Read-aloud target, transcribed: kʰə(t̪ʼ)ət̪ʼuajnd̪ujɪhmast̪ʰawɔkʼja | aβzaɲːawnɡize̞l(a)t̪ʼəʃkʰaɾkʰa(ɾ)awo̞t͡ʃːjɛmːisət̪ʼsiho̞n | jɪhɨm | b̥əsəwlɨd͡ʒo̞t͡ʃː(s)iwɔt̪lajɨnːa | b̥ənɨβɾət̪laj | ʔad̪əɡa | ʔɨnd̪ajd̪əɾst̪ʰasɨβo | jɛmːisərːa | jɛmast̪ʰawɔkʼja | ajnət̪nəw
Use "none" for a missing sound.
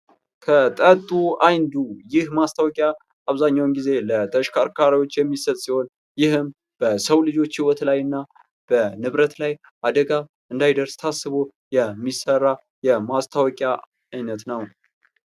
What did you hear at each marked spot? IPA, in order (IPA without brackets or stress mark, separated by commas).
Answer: t̪ʼ, ə, ɾ, h